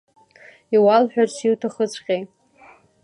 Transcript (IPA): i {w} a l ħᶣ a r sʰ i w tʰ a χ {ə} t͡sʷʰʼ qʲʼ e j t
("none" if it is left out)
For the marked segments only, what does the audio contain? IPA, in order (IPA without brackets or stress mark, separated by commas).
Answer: w, ə